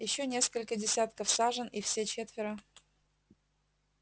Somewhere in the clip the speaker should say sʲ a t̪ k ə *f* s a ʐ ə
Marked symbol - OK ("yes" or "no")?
yes